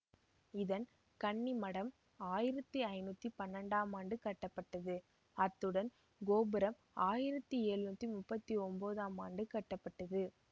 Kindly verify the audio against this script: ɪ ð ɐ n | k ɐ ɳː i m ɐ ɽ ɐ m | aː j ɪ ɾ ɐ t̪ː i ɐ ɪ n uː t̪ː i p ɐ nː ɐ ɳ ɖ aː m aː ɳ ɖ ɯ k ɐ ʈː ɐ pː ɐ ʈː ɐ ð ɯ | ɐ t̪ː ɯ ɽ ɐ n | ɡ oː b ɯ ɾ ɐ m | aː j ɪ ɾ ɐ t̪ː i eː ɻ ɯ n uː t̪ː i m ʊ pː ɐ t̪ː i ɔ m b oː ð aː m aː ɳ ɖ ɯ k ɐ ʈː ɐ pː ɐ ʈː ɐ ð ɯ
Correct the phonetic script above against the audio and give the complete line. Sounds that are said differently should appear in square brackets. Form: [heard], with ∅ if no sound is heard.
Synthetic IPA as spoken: ɪ ð ɐ n | k ɐ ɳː i m ɐ ɽ ɐ m | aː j ɪ ɾ ɐ t̪ː i ɐ ɪ n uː t̪ː i p ɐ nː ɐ ɳ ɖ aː m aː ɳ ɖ ɯ k ɐ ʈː ɐ pː ɐ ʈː ɐ ð ɯ | ɐ t̪ː ɯ ɽ ɐ n | ɡ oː b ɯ ɾ ɐ m | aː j ɪ ɾ ɐ t̪ː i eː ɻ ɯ n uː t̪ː i m ʊ pː ɐ t̪ː i ɔ m b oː ð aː m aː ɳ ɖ ɯ k ɐ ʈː ɐ pː ɐ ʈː ɐ ð ɯ